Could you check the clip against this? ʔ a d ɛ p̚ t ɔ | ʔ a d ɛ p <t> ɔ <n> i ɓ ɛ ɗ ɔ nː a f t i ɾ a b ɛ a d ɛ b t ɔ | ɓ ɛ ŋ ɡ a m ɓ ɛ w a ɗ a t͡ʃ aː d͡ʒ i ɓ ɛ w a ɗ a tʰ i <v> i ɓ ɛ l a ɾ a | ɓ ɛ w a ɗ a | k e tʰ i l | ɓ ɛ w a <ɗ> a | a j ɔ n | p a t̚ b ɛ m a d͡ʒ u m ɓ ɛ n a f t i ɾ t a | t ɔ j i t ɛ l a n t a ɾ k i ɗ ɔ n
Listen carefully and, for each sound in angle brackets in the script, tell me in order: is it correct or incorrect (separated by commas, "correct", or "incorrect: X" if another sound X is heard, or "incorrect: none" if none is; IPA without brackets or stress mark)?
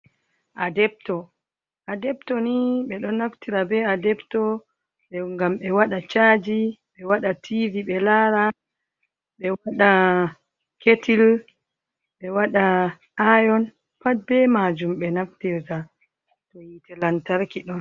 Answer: correct, correct, correct, correct